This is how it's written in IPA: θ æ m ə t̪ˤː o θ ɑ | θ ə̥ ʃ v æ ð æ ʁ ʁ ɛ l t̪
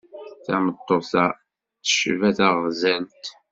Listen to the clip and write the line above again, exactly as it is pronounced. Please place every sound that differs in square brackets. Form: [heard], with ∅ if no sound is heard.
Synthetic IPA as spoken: θ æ m ə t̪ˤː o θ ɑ | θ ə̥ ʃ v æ [θ] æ ʁ [z] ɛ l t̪